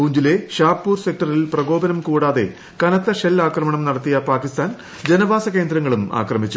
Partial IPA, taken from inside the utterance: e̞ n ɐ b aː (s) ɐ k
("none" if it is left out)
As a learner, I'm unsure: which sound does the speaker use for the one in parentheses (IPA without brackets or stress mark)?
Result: s